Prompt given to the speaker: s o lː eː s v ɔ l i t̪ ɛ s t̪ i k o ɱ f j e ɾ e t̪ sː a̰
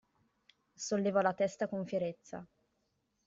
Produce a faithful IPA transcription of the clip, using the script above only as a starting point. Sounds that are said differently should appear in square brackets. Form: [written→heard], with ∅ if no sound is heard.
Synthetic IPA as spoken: s o lː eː [s→∅] v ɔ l [i→a] t̪ ɛ s t̪ [i→a] k o ɱ f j e ɾ e t̪ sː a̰